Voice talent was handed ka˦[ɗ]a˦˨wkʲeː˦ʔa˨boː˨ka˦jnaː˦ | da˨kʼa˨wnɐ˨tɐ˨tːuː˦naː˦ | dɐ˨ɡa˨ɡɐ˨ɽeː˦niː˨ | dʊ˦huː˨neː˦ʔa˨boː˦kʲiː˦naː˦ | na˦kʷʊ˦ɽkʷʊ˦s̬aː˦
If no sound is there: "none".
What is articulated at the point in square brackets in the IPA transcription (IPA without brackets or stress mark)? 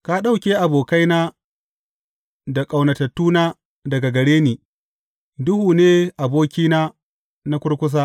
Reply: ɗ